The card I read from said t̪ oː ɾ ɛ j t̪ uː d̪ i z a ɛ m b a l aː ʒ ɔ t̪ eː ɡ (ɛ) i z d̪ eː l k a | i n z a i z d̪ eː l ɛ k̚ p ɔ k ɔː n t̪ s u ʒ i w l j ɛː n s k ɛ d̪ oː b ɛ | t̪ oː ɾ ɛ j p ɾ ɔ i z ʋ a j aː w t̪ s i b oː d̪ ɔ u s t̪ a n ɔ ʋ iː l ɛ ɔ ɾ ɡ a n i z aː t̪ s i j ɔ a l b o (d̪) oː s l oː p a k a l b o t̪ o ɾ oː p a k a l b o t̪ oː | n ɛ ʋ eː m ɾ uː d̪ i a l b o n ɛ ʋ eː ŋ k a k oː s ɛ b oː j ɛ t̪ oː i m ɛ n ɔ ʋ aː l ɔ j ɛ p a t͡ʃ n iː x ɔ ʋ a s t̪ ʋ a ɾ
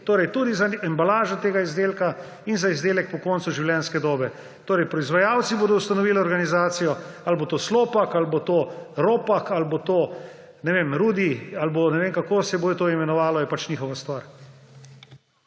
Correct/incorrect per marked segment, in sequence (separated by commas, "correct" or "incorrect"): incorrect, incorrect